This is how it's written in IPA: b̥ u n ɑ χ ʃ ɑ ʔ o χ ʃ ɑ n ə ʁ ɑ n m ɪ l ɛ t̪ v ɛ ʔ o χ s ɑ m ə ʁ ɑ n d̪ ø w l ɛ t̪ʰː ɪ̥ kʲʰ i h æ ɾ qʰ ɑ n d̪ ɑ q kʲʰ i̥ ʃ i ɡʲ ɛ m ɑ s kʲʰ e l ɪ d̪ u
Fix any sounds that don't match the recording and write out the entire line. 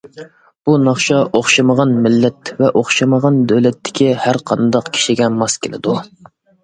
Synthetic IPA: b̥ u n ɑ χ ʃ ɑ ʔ o χ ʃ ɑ m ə ʁ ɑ n m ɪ lː ɛ t̪ v ɛ ʔ o χ ʃ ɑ m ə ʁ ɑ n d̪ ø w l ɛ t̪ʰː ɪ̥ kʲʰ i h æ ɾ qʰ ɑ n d̪ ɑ q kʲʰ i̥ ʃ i ɡʲ ɛ m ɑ s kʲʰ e l ɪ d̪ u